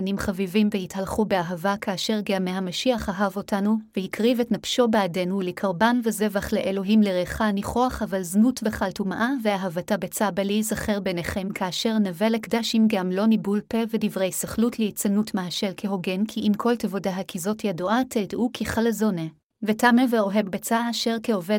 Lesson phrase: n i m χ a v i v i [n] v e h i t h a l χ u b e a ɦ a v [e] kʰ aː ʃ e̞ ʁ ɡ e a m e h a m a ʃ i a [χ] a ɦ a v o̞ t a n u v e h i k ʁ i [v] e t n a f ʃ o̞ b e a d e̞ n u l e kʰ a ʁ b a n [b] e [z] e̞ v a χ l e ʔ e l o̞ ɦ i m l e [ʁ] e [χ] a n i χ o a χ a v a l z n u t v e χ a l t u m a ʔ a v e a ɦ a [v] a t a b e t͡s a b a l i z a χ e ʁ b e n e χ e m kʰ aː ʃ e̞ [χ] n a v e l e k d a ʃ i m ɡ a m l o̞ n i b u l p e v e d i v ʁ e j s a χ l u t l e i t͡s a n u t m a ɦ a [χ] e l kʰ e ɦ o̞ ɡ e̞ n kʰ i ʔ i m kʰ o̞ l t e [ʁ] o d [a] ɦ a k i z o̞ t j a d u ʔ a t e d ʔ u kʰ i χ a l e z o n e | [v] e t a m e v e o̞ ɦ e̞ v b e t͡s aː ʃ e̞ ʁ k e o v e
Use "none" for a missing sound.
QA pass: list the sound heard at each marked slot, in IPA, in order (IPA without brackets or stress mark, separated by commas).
m, a, χ, v, v, z, ʁ, χ, v, ʁ, ʃ, v, a, v